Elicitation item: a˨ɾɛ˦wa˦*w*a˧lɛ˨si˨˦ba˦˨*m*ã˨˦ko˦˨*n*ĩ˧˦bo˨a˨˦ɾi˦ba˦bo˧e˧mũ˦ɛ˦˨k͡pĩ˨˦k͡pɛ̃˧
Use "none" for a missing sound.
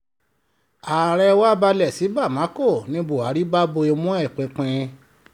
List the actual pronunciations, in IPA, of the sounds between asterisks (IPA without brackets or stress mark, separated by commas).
b, m, n